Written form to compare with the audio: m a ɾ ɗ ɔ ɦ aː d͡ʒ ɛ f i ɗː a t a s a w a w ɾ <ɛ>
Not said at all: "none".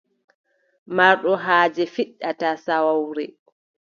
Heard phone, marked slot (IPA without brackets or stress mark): ɛ